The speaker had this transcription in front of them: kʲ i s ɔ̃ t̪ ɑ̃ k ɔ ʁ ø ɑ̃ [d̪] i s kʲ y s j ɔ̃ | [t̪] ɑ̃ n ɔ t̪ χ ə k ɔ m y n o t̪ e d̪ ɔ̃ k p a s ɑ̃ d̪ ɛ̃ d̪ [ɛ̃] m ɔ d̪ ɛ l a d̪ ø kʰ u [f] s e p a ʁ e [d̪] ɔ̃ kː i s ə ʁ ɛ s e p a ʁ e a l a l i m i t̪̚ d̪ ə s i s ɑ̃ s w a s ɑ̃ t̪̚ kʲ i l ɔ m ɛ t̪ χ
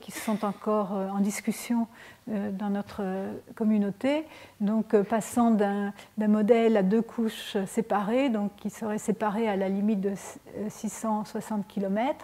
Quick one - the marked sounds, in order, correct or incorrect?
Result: correct, incorrect: d̪, correct, incorrect: ʃ, correct

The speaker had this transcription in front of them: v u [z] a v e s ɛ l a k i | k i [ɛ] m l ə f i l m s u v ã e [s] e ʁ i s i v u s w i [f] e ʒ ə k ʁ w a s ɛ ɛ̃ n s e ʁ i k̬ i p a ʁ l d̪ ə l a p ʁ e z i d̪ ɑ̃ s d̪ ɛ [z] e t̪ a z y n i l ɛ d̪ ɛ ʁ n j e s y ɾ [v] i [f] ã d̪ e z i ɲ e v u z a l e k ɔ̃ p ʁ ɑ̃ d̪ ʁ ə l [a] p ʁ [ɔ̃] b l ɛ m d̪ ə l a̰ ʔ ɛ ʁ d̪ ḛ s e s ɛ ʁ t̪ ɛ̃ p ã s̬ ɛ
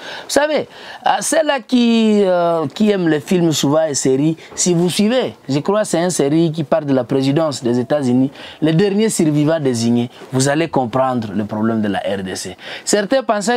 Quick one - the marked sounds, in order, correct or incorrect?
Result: incorrect: s, correct, correct, incorrect: v, correct, correct, incorrect: v, incorrect: ə, incorrect: ɔ

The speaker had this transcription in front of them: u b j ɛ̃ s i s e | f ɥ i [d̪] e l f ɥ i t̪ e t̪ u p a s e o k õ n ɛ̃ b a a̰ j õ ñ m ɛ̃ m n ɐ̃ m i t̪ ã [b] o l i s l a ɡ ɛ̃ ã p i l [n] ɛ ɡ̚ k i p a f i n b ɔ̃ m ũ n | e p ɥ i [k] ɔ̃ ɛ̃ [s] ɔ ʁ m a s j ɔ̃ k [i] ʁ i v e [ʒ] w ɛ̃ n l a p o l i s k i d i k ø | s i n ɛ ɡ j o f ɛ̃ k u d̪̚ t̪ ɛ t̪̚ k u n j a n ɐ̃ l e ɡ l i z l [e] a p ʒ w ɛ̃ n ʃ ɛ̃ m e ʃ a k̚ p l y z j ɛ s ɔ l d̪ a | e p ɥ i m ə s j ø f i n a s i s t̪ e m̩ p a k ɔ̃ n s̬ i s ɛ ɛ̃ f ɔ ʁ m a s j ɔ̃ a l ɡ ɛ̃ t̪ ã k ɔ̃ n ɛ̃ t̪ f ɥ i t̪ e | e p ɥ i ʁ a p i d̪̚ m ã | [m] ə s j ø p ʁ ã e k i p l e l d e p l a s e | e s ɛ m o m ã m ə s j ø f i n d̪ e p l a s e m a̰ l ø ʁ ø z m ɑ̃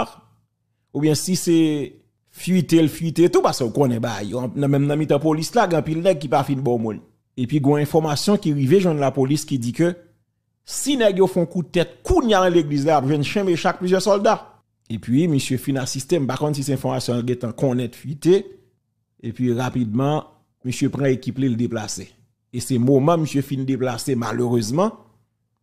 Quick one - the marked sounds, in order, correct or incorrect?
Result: incorrect: t̪, incorrect: p, correct, incorrect: ɡ, incorrect: f, correct, correct, incorrect: a, correct

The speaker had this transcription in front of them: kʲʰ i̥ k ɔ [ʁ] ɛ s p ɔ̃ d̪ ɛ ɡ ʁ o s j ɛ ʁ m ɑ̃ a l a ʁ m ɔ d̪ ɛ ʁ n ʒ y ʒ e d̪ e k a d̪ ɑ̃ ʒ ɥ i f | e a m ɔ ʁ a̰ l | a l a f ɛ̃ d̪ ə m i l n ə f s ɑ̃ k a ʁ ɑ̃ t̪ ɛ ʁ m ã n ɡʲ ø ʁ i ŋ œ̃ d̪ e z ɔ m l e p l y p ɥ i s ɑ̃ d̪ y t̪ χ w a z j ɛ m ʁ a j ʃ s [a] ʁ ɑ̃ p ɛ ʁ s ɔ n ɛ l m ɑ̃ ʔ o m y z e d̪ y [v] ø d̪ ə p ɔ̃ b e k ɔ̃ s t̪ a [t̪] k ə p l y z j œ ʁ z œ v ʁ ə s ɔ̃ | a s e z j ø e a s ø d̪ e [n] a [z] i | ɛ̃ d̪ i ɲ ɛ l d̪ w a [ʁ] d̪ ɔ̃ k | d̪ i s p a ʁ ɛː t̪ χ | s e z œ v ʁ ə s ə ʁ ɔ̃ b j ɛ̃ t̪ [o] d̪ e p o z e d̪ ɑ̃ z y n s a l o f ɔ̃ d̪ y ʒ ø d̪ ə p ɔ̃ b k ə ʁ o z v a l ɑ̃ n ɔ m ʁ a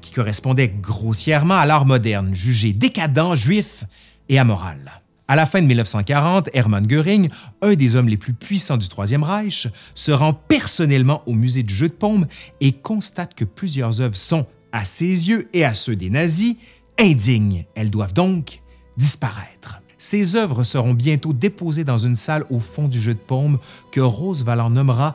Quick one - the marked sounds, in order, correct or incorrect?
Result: correct, incorrect: ə, incorrect: ʒ, correct, correct, correct, incorrect: v, correct

